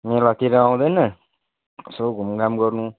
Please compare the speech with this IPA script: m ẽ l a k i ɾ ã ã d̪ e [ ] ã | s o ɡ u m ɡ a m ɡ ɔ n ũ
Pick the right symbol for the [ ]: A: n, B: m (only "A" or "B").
A